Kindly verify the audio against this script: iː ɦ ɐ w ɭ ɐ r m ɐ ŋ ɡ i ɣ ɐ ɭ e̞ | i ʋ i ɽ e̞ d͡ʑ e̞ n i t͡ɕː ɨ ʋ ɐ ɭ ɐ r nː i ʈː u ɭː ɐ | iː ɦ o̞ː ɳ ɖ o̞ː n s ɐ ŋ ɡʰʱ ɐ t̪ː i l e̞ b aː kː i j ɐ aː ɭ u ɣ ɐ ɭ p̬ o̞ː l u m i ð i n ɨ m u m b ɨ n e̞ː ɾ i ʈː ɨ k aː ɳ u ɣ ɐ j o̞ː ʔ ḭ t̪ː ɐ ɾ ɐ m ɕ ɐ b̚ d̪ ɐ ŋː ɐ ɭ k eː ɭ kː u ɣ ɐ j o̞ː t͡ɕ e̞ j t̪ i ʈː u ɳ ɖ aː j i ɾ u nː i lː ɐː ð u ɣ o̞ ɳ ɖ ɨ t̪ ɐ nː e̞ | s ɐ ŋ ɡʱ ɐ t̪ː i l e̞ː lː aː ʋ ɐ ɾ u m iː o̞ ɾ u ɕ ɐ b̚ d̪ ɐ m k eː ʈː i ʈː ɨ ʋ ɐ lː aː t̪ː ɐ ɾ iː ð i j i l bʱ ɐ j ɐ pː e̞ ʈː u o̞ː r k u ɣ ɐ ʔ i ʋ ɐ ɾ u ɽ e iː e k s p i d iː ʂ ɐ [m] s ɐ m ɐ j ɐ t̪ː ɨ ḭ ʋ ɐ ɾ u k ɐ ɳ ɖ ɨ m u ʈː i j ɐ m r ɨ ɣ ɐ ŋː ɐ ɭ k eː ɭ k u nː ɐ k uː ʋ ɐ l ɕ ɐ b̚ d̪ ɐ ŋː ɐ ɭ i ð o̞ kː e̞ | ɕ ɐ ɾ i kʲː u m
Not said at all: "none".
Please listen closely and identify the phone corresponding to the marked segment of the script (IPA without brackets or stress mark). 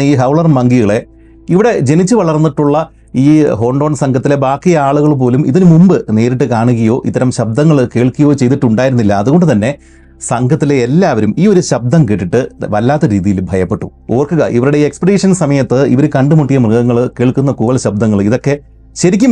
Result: n